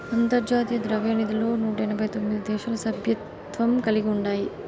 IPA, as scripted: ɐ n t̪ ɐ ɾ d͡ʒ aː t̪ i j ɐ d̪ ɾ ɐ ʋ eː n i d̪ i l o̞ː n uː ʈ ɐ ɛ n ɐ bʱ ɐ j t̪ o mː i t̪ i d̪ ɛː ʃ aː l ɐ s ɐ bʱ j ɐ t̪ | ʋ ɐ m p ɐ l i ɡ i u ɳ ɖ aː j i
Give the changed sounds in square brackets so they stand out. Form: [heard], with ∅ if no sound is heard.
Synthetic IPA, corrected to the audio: ɐ n t̪ ɐ ɾ d͡ʒ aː t̪ i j ɐ d̪ ɾ ɐ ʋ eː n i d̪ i l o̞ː n uː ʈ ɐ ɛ n ɐ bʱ ɐ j t̪ o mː i [d̪] i d̪ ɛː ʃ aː l ɐ s ɐ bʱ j ɐ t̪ | ʋ ɐ m [k] ɐ l i ɡ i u ɳ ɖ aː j i